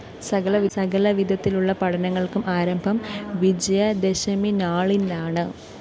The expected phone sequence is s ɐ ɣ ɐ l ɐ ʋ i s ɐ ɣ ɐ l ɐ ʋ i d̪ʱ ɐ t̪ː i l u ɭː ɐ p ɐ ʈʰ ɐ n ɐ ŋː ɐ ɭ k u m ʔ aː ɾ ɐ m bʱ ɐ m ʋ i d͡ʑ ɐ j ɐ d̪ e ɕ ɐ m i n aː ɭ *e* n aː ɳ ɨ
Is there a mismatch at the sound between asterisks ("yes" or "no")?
yes